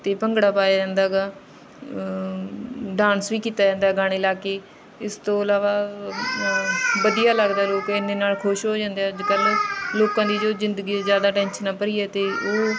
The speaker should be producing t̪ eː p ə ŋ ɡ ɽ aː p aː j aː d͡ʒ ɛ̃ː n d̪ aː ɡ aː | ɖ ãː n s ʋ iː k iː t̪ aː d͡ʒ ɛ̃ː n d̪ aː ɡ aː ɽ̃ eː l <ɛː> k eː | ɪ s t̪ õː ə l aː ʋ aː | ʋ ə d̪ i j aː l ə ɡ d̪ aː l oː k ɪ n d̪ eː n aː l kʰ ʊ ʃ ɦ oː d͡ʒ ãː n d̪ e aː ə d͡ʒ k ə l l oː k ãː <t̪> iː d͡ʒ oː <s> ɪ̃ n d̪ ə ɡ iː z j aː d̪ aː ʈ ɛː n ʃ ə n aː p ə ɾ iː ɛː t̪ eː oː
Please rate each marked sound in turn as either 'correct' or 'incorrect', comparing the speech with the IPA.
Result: incorrect, incorrect, incorrect

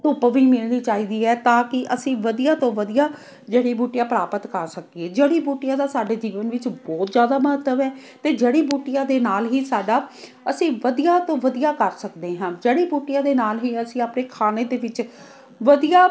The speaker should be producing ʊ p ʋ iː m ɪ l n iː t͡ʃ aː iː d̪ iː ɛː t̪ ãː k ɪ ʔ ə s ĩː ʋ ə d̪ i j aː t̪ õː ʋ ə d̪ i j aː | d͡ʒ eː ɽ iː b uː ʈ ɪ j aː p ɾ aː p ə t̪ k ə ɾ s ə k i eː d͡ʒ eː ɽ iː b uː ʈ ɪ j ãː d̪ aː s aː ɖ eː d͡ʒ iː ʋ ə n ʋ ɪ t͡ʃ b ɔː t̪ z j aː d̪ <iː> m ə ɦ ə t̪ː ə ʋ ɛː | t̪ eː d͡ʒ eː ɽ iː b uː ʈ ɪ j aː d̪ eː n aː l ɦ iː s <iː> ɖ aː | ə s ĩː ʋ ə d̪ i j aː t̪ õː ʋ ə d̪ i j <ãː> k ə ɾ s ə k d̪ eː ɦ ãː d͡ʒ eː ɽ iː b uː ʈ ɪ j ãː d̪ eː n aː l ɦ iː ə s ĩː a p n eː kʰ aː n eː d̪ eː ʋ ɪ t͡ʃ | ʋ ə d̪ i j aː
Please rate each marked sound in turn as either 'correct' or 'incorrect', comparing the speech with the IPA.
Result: incorrect, incorrect, incorrect

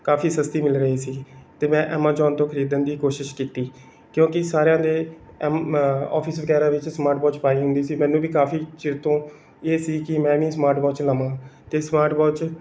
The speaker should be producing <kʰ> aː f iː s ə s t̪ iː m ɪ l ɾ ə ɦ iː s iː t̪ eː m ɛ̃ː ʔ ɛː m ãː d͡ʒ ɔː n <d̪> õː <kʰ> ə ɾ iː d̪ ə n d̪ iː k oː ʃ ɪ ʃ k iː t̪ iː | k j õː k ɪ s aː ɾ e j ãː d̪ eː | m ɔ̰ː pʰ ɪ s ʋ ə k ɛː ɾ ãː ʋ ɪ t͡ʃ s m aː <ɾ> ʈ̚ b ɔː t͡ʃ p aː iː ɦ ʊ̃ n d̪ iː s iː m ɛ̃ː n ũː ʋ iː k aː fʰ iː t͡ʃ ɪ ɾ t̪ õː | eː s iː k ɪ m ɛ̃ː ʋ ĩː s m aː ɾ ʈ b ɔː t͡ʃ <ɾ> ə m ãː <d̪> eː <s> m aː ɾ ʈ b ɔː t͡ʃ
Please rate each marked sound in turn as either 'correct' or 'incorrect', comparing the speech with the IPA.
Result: incorrect, incorrect, correct, correct, incorrect, incorrect, correct

